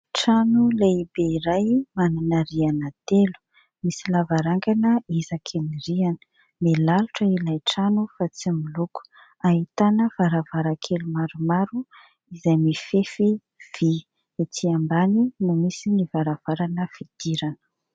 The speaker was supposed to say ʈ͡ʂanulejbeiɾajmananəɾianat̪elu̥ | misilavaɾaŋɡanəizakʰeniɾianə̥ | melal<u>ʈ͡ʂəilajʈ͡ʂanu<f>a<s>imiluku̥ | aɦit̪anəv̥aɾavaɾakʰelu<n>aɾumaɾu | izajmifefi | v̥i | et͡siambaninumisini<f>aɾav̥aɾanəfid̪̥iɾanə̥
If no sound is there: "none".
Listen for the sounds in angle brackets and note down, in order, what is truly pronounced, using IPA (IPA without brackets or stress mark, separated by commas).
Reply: u, f, t͡s, m, v